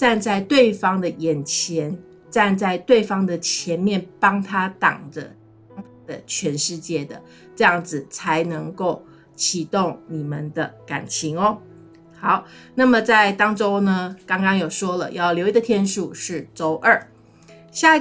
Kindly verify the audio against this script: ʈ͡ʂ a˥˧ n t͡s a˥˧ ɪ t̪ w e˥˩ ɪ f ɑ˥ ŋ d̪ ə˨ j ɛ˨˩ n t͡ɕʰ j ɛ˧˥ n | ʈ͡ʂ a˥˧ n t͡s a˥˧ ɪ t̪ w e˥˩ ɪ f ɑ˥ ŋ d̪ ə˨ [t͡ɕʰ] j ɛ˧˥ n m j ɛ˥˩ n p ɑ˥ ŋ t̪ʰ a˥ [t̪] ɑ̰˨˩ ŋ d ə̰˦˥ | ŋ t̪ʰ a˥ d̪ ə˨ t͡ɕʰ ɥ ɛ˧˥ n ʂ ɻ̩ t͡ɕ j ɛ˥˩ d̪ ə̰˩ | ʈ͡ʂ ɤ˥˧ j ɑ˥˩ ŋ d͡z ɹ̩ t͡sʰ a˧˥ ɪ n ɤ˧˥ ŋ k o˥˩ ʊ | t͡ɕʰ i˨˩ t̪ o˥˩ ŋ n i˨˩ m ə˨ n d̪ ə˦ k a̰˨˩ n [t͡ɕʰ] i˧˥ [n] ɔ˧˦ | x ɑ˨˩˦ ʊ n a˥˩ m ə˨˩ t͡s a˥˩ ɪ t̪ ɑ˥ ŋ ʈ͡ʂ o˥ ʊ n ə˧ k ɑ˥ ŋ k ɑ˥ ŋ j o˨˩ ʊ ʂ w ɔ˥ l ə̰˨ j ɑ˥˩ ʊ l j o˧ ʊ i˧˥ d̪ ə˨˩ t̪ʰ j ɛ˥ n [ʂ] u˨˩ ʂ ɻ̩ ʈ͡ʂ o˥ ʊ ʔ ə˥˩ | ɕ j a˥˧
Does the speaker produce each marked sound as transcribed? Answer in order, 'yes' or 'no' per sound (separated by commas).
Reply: yes, yes, yes, no, yes